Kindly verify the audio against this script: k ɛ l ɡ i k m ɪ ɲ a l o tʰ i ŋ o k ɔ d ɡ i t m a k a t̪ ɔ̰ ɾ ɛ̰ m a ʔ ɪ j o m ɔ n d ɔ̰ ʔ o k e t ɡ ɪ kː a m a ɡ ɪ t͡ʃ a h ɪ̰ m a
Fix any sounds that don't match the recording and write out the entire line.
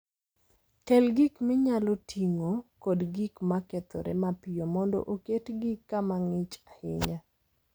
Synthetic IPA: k ɛ l ɡ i k m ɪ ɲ a l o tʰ i ŋ o k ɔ d ɡ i k m a k ɛ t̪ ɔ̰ ɾ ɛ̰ m a p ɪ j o m ɔ n d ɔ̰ ʔ o k e t ɡ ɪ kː a m a ŋ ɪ t͡ʃ a h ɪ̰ ɲ a